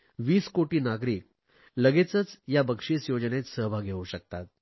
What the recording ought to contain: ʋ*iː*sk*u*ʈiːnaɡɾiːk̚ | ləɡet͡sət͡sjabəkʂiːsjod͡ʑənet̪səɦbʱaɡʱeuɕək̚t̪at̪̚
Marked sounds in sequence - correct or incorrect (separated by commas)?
correct, incorrect